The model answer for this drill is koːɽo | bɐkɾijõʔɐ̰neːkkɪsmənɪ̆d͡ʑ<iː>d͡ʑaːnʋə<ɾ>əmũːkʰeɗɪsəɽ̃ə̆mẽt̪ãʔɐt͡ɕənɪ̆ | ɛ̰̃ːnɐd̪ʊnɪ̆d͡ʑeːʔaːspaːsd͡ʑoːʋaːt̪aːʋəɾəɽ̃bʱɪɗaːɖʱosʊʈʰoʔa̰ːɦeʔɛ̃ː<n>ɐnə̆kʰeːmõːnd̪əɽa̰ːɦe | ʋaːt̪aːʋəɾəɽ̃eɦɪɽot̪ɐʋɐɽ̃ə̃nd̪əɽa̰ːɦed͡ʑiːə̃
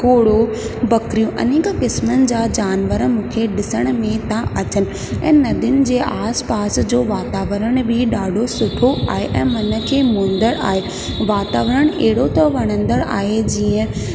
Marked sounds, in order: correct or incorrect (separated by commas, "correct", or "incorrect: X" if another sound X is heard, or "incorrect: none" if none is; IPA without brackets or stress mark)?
incorrect: aː, correct, incorrect: m